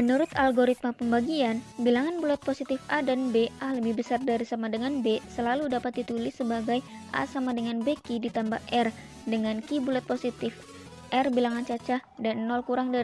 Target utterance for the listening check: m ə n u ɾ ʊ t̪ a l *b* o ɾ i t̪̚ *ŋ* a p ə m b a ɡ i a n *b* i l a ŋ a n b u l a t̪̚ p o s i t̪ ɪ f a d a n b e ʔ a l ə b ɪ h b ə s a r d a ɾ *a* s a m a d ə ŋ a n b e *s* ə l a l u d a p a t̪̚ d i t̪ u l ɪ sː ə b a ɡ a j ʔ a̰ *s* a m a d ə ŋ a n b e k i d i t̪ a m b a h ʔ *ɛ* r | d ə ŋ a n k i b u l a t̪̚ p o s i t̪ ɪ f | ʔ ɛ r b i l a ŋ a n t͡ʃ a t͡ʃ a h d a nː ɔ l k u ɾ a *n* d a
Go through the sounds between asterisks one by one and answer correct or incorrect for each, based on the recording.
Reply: incorrect: ɡ, incorrect: m, correct, incorrect: i, correct, correct, correct, incorrect: ŋ

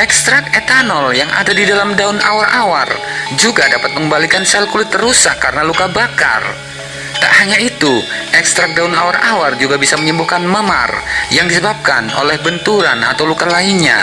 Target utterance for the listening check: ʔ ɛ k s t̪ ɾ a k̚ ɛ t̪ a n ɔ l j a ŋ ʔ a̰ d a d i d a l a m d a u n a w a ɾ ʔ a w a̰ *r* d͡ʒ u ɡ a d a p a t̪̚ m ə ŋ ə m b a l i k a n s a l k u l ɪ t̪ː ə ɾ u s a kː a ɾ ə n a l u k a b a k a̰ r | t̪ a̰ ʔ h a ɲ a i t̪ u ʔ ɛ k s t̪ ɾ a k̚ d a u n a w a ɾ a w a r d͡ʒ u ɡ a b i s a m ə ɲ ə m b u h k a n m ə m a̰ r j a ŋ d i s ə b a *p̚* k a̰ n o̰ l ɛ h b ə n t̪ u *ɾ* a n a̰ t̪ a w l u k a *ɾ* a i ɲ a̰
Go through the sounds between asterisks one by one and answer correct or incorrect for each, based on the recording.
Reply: correct, correct, correct, incorrect: l

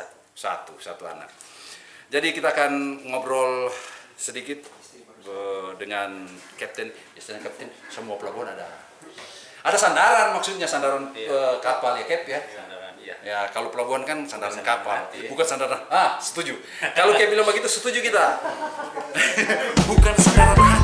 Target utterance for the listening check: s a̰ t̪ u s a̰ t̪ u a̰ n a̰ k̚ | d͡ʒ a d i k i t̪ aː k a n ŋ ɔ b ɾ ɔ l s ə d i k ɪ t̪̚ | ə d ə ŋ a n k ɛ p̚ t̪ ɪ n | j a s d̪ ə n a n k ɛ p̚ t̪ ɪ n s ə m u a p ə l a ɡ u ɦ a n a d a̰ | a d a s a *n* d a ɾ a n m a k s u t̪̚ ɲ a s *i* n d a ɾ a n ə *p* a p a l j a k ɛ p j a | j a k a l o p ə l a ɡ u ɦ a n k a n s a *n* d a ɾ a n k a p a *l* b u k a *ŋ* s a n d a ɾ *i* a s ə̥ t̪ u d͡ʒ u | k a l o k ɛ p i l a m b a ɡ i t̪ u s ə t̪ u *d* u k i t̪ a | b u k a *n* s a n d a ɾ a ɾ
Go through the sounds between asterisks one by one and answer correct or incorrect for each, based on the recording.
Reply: correct, incorrect: a, incorrect: k, correct, correct, incorrect: n, incorrect: a, incorrect: d͡ʒ, correct

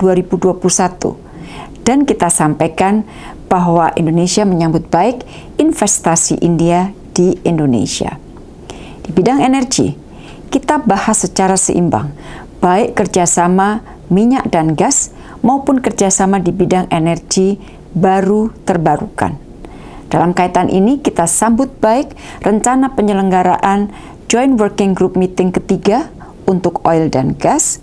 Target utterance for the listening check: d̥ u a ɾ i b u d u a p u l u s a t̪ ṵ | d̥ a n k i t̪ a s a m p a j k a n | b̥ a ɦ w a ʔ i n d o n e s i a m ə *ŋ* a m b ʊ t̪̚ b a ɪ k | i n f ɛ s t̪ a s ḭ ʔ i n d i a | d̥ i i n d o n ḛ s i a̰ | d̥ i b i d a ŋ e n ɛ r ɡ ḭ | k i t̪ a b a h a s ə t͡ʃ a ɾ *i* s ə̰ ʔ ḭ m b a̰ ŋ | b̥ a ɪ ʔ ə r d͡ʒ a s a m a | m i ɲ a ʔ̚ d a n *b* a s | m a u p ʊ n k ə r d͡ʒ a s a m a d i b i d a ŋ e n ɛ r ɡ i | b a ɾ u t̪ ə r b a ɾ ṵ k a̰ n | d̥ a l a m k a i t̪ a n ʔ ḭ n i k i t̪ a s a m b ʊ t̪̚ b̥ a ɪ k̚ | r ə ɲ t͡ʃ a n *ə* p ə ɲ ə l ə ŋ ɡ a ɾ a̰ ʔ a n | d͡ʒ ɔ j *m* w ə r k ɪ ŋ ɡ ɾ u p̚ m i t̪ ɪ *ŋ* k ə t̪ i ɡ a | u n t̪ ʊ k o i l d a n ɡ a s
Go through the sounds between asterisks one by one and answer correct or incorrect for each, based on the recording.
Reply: incorrect: ɲ, incorrect: a, incorrect: ɡ, incorrect: a, incorrect: n, correct

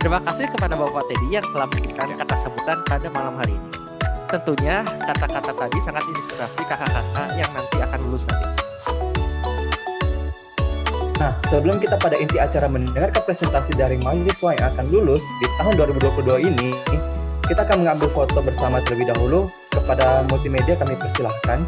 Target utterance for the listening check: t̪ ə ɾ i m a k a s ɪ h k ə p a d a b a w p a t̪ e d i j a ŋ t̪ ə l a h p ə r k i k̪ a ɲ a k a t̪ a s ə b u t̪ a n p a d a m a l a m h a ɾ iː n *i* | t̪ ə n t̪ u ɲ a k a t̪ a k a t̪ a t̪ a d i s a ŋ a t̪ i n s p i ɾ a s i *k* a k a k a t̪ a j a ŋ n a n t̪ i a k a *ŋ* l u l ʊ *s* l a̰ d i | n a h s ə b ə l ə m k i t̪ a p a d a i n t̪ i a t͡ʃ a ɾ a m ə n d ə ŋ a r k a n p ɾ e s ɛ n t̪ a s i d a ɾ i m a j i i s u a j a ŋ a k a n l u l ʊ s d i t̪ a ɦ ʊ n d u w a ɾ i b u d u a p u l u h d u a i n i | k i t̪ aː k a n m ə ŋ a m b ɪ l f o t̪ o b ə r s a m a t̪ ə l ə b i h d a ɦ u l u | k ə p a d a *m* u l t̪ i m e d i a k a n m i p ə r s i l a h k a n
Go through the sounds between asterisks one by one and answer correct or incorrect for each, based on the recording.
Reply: correct, correct, incorrect: n, correct, correct

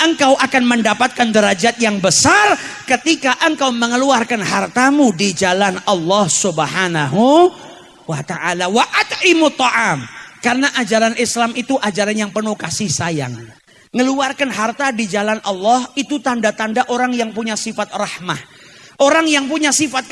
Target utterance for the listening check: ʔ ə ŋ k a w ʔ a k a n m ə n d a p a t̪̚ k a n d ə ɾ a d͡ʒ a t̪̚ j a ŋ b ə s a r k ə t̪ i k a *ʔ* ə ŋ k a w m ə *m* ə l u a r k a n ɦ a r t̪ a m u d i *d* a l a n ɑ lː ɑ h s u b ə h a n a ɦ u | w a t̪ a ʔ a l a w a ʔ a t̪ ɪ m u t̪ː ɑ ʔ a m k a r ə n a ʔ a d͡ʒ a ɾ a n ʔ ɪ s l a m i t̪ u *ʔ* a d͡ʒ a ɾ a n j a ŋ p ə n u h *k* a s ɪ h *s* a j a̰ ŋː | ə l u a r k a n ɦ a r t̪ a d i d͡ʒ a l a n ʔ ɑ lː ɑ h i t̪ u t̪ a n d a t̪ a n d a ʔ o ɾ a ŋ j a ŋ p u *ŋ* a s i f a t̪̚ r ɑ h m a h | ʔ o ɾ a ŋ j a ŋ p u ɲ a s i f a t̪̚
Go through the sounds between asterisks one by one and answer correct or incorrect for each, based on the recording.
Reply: correct, incorrect: ŋ, incorrect: d͡ʒ, correct, correct, correct, incorrect: ɲ

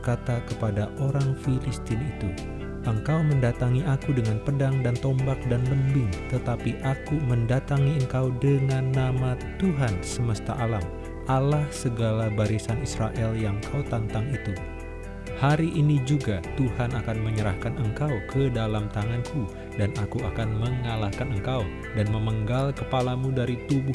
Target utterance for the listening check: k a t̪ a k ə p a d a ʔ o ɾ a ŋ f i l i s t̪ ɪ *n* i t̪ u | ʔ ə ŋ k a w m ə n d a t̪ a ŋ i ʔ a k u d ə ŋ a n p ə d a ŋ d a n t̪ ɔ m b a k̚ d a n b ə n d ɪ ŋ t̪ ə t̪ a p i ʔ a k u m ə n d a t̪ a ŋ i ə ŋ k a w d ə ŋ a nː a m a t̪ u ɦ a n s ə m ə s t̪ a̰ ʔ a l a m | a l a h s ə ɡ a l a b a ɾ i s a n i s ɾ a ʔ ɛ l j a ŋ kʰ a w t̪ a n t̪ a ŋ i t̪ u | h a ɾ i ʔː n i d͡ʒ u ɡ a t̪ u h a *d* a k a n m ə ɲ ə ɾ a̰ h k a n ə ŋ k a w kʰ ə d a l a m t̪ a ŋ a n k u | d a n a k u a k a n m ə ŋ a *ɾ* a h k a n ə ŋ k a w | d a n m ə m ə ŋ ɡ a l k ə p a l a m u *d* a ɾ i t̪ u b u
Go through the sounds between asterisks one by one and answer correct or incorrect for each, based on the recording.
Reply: correct, incorrect: n, incorrect: l, correct

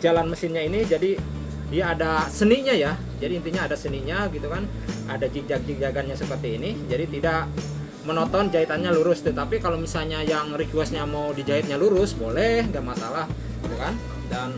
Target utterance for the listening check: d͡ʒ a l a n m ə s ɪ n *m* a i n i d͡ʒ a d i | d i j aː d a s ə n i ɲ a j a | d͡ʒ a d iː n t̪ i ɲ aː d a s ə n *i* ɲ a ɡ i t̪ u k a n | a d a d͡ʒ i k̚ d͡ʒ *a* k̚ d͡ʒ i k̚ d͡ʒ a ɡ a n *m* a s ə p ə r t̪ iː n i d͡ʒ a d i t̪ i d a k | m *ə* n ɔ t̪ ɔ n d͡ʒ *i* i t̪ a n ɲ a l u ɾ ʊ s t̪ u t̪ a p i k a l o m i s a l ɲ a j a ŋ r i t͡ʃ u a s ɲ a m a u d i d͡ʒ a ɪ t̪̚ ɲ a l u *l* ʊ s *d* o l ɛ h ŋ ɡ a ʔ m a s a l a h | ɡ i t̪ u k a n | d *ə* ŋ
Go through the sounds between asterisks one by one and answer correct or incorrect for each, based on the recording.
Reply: incorrect: ɲ, correct, correct, incorrect: ɲ, correct, incorrect: a, incorrect: ɾ, incorrect: b, incorrect: a

